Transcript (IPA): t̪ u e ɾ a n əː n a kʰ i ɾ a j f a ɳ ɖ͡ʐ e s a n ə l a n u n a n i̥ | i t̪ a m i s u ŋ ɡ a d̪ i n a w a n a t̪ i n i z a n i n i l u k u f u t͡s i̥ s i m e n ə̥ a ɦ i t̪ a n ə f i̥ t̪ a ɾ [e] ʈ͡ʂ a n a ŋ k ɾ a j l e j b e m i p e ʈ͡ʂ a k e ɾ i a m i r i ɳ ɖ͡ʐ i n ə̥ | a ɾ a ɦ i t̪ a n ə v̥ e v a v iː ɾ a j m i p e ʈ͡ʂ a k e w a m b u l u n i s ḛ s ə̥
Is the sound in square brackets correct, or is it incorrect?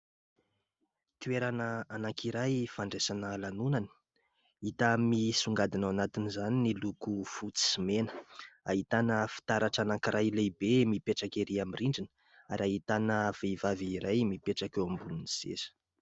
incorrect